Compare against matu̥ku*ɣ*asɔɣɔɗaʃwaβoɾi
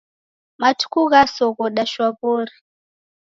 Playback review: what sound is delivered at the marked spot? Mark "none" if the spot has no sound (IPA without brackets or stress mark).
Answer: ɣ